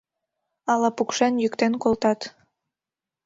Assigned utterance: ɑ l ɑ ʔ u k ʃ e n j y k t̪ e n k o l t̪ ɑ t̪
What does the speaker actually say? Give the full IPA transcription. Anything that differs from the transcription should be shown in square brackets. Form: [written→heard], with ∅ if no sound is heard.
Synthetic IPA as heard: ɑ l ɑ [ʔ→p] u k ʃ e n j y k t̪ e n k o l t̪ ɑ t̪